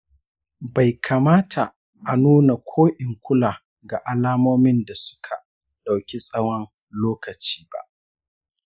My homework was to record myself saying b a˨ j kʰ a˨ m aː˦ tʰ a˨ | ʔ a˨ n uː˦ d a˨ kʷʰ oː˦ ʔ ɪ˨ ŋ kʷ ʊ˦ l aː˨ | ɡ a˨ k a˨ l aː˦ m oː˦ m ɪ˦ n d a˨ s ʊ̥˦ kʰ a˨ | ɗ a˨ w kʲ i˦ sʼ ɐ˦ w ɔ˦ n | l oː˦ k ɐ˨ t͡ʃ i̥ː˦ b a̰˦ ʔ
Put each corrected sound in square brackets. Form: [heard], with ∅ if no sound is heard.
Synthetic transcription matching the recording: b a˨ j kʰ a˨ m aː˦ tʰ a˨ | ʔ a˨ n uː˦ [n] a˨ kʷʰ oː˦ ʔ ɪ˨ ŋ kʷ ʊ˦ l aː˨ | ɡ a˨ [ʔ] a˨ l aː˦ m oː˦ m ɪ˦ n d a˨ s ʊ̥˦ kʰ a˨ | ɗ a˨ w kʲ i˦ sʼ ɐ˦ w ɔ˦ n | l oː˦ k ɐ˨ t͡ʃ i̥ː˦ b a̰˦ ʔ

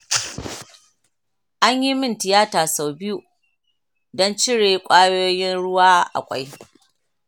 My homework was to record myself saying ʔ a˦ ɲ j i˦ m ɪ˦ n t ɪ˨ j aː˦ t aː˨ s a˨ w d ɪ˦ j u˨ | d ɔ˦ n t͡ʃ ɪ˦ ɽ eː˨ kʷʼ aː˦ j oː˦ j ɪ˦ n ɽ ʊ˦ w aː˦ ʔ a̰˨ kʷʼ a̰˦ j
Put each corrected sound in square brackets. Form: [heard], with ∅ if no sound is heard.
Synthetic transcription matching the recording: ʔ a˦ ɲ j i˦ m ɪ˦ n t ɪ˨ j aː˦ t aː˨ s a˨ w [b] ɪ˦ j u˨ | d ɔ˦ n t͡ʃ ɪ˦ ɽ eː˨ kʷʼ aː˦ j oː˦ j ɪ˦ n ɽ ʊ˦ w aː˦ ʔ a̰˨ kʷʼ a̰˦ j

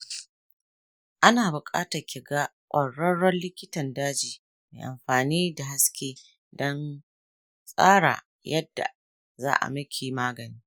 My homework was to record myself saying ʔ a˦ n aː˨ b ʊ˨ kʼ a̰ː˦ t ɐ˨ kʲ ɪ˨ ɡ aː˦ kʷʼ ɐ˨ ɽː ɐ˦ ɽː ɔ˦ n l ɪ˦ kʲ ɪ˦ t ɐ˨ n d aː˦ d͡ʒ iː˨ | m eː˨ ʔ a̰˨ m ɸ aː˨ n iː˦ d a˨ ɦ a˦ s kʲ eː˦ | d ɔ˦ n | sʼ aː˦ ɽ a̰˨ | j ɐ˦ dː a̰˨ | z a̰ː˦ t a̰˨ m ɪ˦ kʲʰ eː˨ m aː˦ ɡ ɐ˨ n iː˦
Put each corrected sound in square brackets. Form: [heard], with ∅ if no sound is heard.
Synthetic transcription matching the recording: ʔ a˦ n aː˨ b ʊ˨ kʼ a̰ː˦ t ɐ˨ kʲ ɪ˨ ɡ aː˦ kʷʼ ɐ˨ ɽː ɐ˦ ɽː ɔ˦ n l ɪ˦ kʲ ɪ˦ t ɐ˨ n d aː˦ d͡ʒ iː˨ | m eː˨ ʔ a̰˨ m ɸ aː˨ n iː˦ d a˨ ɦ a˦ s kʲ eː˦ | d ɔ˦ n | sʼ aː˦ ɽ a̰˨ | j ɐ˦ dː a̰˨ | z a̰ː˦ [ʔ] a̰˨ m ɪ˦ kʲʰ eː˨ m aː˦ ɡ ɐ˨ n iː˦

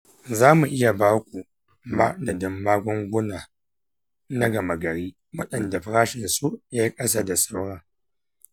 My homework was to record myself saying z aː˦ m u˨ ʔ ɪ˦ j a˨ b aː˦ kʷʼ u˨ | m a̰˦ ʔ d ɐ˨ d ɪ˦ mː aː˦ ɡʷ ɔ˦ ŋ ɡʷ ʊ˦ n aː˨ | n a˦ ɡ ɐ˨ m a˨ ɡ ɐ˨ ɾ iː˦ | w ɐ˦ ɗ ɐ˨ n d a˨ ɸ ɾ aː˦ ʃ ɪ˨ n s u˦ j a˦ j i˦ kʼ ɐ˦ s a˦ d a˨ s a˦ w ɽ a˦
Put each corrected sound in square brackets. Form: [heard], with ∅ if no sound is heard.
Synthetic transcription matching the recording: z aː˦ m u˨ ʔ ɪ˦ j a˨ b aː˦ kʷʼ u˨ | m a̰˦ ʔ d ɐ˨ d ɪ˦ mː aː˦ ɡʷ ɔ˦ ŋ ɡʷ ʊ˦ n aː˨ | n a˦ ɡ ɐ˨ m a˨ ɡ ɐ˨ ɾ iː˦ | w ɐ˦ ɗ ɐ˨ n d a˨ ɸ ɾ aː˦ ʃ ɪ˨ n s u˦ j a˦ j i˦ kʼ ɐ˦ s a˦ d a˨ s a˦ w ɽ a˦

